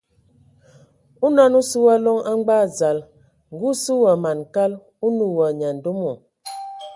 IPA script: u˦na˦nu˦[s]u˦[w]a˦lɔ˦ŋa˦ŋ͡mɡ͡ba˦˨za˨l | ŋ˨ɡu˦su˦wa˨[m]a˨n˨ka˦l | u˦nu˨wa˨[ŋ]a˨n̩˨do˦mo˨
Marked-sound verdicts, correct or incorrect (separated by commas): correct, correct, correct, incorrect